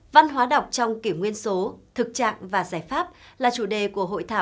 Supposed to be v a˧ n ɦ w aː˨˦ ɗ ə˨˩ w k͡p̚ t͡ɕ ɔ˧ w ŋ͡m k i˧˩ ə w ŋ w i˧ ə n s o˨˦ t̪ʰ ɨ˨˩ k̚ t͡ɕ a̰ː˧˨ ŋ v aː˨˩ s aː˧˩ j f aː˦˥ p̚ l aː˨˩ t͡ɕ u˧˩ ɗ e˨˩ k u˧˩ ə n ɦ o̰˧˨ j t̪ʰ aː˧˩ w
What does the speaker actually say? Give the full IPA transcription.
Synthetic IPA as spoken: v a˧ n ɦ w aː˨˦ ɗ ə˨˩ w k͡p̚ t͡ɕ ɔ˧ w ŋ͡m k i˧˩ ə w ŋ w i˧ ə n s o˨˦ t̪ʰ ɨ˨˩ k̚ t͡ɕ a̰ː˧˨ ŋ v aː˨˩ z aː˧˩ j f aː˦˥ p̚ l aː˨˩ t͡ɕ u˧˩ ɗ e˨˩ k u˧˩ ə ɦ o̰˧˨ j t̪ʰ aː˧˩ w